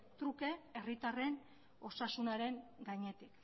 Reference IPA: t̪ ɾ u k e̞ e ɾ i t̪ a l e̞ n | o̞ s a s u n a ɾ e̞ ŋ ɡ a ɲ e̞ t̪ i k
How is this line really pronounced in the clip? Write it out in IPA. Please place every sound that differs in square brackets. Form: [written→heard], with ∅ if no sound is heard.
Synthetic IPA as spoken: t̪ ɾ u k e̞ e [ɾ→r] i t̪ a [l→r] e̞ n | o̞ s a s u n a ɾ e̞ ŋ ɡ a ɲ e̞ t̪ i k

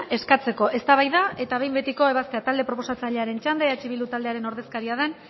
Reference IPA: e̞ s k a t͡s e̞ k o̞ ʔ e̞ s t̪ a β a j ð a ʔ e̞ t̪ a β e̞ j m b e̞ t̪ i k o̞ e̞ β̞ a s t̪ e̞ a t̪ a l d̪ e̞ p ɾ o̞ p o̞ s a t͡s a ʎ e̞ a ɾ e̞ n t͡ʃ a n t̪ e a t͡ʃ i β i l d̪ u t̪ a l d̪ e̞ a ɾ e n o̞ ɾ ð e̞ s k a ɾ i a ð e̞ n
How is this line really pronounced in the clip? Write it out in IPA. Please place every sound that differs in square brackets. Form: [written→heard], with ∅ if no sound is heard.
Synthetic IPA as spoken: e̞ s k a t͡s e̞ k o̞ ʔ e̞ s t̪ a β a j ð a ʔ e̞ t̪ a β e̞ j m b e̞ t̪ i k o̞ e̞ β̞ a s t̪ e̞ a t̪ a l d̪ e̞ p ɾ o̞ p o̞ s a t͡s a ʎ e̞ a ɾ e̞ n t͡ʃ a n [t̪→d̪] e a t͡ʃ i β i l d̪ u t̪ a l d̪ e̞ a ɾ e n o̞ ɾ ð e̞ s k a ɾ i a ð e̞ n

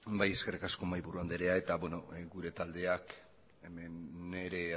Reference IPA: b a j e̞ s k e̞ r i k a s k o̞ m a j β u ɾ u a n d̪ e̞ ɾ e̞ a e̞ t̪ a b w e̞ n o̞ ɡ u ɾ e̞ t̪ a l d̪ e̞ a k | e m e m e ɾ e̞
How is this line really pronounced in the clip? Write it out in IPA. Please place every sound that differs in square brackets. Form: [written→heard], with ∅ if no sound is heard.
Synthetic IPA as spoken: b a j e̞ s k e̞ r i k a s k o̞ m a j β u ɾ u a n d̪ e̞ ɾ e̞ a e̞ t̪ a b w e̞ n o̞ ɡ u ɾ e̞ t̪ a l d̪ e̞ a k | e m e [m→n] e ɾ e̞

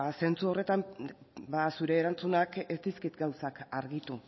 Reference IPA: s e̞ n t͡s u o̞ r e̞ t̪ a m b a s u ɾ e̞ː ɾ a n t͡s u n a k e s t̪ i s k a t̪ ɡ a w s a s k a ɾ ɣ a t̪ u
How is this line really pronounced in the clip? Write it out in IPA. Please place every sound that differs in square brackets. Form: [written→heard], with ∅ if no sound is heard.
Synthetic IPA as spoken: s e̞ n t͡s u o̞ r e̞ t̪ a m b a s u ɾ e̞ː ɾ a n t͡s u n a k e s t̪ i s k [a→i] t̪ ɡ a w s a [s→∅] k a ɾ ɣ [a→i] t̪ u

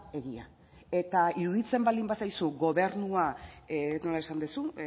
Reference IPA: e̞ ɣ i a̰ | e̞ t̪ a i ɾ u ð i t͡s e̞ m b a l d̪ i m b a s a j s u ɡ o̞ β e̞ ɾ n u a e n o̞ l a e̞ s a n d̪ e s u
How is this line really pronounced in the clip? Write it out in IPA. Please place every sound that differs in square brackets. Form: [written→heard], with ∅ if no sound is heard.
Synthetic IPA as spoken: e̞ ɣ i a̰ | e̞ t̪ a i ɾ u ð i t͡s e̞ m b a l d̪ i m b a s a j s u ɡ o̞ β e̞ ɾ n u a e n o̞ l a e̞ s a n d̪ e s u

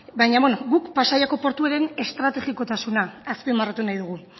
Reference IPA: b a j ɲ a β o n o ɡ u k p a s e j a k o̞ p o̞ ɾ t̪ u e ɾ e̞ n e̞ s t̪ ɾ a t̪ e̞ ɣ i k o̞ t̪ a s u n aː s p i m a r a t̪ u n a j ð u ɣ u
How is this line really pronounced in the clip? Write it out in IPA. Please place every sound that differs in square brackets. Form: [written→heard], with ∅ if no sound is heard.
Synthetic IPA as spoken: b a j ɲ a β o n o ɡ u k p a s [e→a] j a k o̞ p o̞ ɾ t̪ u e ɾ e̞ n e̞ s t̪ ɾ a t̪ e̞ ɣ i k o̞ t̪ a s u n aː s p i m a r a t̪ u n a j ð u ɣ u

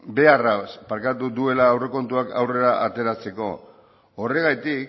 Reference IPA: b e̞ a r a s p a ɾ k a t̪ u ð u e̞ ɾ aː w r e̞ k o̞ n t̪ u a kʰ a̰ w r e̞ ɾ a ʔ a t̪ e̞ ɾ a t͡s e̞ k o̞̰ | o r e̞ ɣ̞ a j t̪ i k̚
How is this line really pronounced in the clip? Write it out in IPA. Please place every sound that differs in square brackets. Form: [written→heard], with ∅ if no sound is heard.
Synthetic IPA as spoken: b e̞ a r a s p a ɾ k a t̪ u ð u e̞ [ɾ→l] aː w r e̞ k o̞ n t̪ u a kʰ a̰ w r e̞ ɾ a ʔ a t̪ e̞ ɾ a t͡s e̞ k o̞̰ | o r e̞ ɣ̞ a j t̪ i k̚

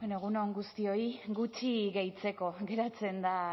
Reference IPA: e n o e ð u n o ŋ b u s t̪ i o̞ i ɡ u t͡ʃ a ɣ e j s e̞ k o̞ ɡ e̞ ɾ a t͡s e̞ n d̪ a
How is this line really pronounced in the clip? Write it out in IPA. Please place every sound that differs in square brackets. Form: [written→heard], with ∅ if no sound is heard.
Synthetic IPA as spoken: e n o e [ð→ɣ] u n o ŋ [b→ɡ] u s t̪ i o̞ i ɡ u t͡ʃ [a→i] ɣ e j [s→t͡s] e̞ k o̞ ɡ e̞ ɾ a t͡s e̞ n d̪ a

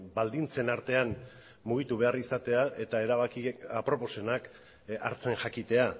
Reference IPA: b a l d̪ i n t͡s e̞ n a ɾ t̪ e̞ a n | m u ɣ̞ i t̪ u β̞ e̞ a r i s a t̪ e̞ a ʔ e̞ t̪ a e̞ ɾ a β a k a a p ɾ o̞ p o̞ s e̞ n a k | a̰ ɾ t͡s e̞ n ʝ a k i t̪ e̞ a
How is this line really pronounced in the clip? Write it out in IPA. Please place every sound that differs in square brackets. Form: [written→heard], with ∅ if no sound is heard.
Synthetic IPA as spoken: b a l d̪ i n t͡s e̞ n a ɾ t̪ e̞ a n | m u ɣ̞ i t̪ u β̞ e̞ a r i s a t̪ e̞ a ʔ e̞ t̪ a e̞ ɾ a β a k [a→i] a p ɾ o̞ p o̞ s e̞ n a k | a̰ ɾ t͡s e̞ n ʝ a k i t̪ e̞ a

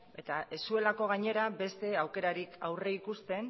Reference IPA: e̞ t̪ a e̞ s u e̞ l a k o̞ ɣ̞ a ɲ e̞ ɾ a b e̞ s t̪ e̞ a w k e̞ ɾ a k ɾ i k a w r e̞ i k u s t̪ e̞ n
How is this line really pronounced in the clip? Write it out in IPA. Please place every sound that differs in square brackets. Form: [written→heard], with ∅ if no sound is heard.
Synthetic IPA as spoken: e̞ t̪ a e̞ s u e̞ l a k o̞ ɣ̞ a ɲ e̞ ɾ a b e̞ s t̪ e̞ a w k e̞ ɾ a [k→∅] ɾ i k a w r e̞ i k u s t̪ e̞ n

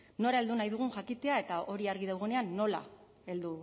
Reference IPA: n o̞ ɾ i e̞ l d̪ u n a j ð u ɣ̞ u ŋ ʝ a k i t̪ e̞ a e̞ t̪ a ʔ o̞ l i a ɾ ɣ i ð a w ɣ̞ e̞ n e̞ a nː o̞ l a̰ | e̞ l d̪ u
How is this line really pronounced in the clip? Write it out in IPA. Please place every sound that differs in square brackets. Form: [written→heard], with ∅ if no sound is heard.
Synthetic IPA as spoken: n o̞ ɾ [i→a] e̞ l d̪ u n a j ð u ɣ̞ u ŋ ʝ a k i t̪ e̞ a e̞ t̪ a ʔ o̞ [l→ɾ] i a ɾ ɣ i ð a w ɣ̞ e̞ n e̞ a nː o̞ l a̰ | e̞ l d̪ u

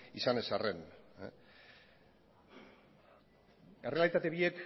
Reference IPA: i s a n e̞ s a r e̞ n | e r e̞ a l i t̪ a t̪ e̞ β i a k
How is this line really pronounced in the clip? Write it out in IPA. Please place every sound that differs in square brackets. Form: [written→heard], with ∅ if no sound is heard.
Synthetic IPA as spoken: i s a n e̞ s a r e̞ n | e r e̞ a l i t̪ a t̪ e̞ β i [a→e] k

